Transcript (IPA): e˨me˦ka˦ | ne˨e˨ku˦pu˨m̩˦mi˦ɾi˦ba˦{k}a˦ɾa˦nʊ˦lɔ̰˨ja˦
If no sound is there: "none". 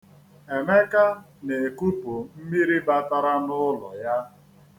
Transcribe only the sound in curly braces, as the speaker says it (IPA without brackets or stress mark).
t